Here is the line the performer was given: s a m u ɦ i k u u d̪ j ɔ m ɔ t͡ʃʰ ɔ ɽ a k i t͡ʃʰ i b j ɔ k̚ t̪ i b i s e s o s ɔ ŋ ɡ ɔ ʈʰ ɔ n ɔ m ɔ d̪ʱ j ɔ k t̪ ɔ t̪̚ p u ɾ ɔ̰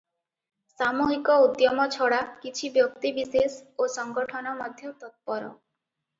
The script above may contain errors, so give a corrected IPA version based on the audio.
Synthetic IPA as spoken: s a m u ɦ i k ɔ u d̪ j ɔ m ɔ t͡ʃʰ ɔ ɽ a k i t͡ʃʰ i b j ɔ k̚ t̪ i b i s e s o s ɔ ŋ ɡ ɔ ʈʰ ɔ n ɔ m ɔ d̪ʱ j ɔ t̪ ɔ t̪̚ p ɔ ɾ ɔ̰